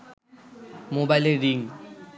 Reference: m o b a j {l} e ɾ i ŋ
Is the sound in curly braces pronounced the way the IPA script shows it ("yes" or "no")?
yes